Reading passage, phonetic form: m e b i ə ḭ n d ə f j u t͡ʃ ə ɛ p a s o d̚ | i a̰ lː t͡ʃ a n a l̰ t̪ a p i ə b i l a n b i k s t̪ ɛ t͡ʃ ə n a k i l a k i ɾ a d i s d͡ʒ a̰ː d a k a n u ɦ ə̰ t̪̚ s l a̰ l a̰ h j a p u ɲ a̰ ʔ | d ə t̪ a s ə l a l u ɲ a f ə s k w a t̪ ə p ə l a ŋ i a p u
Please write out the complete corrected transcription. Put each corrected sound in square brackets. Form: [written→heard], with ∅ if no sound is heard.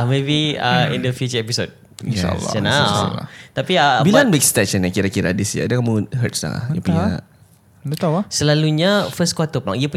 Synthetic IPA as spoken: m e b i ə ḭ n d ə f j u t͡ʃ ə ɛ p [a→i] s o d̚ | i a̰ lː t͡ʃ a n a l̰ t̪ a p i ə b i l a n b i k s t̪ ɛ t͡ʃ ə n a k i [l→ɾ] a k i ɾ a d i s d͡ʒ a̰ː d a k a [n→m] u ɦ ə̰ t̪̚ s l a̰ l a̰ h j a p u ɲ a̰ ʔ | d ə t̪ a s ə l a l u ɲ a f ə s k w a t̪ ə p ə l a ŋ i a p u